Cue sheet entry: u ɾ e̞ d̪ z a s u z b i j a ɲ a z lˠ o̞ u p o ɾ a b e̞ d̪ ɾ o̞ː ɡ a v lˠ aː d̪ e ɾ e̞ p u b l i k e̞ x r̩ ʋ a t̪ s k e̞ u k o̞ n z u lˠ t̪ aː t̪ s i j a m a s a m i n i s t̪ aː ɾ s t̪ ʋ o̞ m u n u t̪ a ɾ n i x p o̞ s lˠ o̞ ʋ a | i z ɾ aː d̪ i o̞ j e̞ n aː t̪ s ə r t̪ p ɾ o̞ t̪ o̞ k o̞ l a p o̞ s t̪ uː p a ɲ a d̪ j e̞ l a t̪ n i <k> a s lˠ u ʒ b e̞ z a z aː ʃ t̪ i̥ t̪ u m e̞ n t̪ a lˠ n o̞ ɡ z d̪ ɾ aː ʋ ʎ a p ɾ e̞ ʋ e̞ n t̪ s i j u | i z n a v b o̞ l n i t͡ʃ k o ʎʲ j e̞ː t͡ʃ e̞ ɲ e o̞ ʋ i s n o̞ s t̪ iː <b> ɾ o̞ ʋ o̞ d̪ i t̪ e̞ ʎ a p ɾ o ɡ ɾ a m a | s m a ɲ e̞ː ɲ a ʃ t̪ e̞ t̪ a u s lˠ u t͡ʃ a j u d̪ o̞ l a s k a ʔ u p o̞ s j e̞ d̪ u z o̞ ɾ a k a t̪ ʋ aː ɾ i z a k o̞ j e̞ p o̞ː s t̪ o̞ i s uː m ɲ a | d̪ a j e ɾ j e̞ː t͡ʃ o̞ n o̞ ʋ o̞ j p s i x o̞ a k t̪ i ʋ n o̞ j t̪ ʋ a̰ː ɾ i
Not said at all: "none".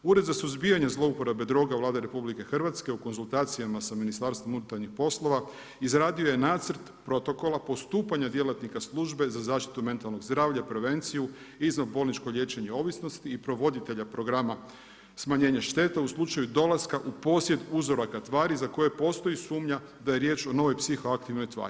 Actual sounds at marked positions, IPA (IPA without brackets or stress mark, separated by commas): k, p